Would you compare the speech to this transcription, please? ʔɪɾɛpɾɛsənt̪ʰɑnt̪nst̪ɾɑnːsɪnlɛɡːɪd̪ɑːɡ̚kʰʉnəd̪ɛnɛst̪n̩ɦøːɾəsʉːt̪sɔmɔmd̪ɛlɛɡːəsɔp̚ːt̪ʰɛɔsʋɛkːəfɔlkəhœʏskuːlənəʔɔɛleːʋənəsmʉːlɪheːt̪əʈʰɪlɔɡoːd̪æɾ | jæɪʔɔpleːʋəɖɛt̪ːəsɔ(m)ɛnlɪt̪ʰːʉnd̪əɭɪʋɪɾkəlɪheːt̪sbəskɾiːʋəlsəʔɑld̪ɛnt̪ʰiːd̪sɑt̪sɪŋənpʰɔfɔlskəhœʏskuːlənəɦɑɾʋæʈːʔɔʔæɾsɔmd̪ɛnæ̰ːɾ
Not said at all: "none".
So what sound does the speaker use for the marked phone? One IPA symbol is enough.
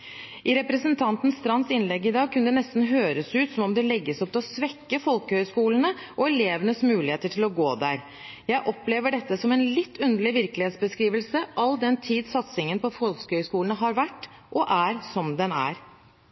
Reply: m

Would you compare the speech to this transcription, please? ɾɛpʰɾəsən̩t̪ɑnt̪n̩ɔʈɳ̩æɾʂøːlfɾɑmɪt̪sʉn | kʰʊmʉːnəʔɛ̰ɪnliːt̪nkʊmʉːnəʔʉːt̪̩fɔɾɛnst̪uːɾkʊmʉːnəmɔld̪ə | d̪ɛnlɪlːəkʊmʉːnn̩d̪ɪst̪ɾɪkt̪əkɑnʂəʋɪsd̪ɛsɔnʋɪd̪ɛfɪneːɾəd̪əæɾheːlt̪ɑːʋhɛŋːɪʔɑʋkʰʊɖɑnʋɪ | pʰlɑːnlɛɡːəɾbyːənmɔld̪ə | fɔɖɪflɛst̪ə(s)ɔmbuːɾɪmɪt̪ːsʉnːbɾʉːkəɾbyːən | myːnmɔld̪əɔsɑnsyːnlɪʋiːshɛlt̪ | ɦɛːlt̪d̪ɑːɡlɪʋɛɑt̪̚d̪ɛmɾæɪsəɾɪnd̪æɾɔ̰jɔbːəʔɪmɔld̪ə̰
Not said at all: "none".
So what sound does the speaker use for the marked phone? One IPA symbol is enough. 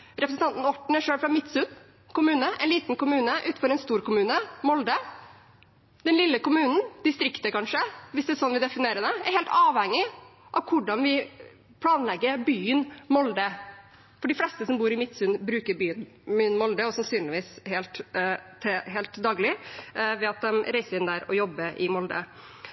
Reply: s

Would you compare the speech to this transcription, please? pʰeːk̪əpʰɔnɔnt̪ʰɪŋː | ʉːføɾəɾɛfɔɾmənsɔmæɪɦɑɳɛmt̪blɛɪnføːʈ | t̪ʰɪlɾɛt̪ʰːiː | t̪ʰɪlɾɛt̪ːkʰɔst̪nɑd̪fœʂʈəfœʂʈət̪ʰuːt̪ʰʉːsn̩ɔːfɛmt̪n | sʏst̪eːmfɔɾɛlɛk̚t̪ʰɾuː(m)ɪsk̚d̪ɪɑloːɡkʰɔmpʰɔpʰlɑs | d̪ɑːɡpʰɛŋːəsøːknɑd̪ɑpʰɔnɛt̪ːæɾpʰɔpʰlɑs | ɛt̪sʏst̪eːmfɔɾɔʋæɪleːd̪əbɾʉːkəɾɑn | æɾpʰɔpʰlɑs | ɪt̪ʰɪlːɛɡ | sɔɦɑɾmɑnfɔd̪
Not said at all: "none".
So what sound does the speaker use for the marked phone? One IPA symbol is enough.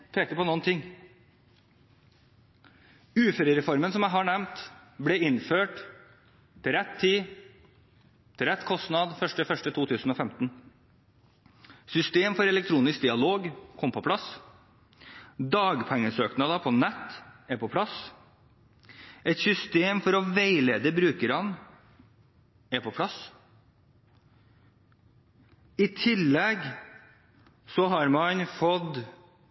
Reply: n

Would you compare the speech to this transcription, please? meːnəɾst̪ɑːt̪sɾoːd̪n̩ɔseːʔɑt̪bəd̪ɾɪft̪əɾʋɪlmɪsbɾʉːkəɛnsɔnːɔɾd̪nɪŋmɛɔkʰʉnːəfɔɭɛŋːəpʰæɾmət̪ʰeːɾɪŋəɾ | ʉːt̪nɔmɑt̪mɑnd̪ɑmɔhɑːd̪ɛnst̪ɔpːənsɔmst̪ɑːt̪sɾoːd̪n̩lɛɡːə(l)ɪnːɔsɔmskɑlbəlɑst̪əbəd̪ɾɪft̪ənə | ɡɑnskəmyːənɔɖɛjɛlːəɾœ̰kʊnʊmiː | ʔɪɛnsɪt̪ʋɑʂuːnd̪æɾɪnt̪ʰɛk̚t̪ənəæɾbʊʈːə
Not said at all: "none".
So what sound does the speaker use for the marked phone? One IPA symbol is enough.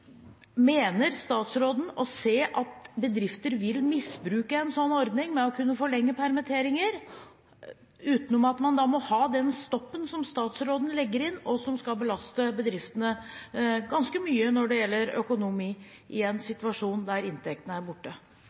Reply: ɾ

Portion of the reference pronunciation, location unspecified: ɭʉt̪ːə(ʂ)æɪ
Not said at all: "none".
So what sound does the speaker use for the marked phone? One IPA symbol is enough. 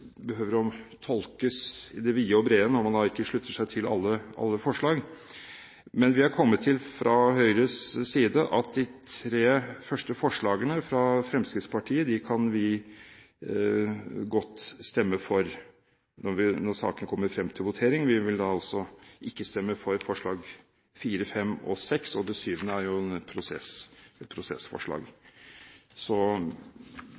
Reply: ʂ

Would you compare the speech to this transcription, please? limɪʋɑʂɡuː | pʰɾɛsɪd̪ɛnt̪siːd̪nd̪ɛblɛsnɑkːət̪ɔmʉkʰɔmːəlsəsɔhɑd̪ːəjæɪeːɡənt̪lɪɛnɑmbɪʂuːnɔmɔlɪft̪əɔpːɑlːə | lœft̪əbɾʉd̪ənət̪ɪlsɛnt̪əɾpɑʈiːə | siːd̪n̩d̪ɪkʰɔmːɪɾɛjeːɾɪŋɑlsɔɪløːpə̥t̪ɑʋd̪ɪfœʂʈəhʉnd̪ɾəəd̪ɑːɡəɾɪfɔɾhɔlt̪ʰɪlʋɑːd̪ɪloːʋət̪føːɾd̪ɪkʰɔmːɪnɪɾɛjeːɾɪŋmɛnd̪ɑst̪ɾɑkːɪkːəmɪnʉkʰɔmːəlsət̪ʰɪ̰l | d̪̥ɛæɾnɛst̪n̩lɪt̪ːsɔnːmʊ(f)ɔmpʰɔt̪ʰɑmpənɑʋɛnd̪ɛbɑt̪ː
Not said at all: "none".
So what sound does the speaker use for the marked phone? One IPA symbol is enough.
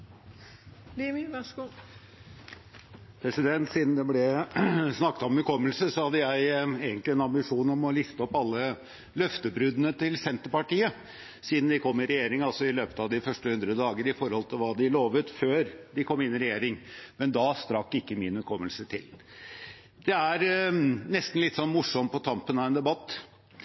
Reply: ʂ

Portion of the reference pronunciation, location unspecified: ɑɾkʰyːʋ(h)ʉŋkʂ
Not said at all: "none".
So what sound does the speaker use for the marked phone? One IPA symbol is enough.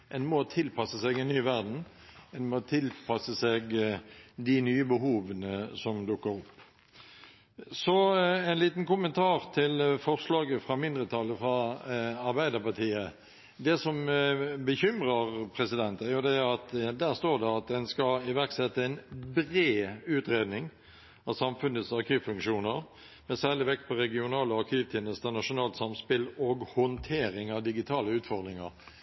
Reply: f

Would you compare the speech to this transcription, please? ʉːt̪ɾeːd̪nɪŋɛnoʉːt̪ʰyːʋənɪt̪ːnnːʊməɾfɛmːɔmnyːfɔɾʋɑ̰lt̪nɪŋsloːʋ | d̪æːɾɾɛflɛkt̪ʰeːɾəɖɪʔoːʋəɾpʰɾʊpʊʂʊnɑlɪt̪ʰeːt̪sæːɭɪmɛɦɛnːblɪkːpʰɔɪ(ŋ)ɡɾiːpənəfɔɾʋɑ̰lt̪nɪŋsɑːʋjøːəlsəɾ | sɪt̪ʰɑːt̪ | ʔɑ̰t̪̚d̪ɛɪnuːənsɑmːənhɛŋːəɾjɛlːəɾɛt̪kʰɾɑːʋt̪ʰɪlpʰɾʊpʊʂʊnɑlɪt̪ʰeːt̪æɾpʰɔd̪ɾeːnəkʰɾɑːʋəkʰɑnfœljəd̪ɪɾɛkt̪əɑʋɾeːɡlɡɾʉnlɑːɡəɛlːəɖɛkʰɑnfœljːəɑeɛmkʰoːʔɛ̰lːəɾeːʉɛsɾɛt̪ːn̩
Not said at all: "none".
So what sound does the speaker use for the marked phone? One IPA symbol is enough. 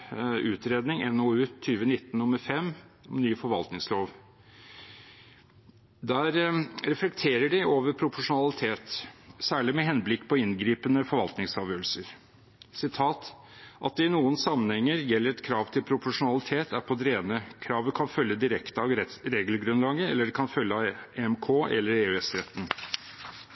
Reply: n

